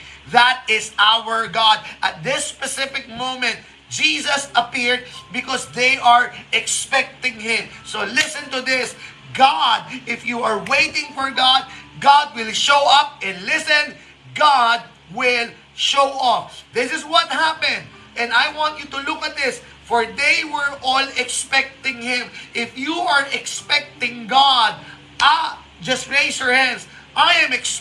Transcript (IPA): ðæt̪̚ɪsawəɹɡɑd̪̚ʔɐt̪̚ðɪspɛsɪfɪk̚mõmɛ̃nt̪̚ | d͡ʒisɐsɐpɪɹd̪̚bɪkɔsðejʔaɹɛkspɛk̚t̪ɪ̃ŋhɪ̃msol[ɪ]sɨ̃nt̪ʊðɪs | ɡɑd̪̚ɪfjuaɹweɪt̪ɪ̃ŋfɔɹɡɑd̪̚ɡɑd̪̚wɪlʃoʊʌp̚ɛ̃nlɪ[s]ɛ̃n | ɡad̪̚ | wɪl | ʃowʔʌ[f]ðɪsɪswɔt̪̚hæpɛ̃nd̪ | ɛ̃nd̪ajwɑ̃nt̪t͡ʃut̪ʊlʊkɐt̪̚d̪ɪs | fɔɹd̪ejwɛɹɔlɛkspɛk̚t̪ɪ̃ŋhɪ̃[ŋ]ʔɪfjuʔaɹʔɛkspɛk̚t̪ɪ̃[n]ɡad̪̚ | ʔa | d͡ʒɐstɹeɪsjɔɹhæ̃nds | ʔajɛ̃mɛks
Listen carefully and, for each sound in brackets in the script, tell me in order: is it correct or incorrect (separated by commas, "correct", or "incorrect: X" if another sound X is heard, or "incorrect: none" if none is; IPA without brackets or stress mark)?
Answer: correct, correct, correct, incorrect: m, incorrect: ŋ